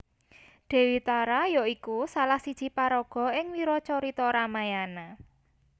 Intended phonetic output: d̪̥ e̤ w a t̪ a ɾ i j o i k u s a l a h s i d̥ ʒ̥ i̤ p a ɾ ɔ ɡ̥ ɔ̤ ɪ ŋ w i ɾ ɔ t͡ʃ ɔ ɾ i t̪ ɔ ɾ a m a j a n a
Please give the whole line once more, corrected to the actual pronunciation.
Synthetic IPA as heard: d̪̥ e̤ w i t̪ a ɾ a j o i k u s a l a h s i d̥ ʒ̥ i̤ p a ɾ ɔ ɡ̥ ɔ̤ ɪ ŋ w i ɾ ɔ t͡ʃ ɔ ɾ i t̪ ɔ ɾ a m a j a n a